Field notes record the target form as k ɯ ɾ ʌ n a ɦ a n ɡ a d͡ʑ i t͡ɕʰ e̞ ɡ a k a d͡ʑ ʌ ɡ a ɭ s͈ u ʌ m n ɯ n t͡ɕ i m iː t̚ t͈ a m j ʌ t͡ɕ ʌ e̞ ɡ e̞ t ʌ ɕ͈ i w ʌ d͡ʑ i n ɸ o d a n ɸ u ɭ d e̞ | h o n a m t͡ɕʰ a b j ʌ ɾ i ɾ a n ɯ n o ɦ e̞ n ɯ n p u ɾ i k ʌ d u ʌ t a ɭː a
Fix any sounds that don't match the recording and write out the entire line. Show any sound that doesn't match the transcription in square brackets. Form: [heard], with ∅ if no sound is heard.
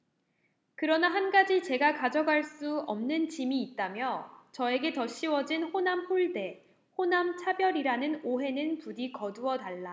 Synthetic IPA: k ɯ ɾ ʌ n a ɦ a n ɡ a d͡ʑ i [t͡ɕ] e̞ ɡ a k a d͡ʑ ʌ ɡ a ɭ s͈ u ʌ m n ɯ n t͡ɕ i m iː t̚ t͈ a m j ʌ t͡ɕ ʌ e̞ ɡ e̞ t ʌ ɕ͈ i w ʌ d͡ʑ i n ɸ o [n] a [m] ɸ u ɭ d e̞ | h o n a m t͡ɕʰ a b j ʌ ɾ i ɾ a n ɯ n o ɦ e̞ n ɯ n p u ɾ i k ʌ d u ʌ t a ɭː a